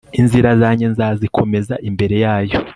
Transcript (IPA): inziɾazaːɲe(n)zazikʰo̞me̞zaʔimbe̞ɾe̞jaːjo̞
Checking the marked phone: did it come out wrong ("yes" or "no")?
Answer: no